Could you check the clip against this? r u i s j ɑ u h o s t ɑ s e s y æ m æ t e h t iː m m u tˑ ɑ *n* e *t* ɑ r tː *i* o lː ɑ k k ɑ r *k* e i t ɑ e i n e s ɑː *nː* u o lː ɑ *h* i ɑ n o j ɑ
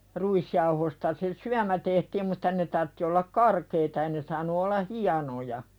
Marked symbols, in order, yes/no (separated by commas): yes, yes, yes, yes, no, yes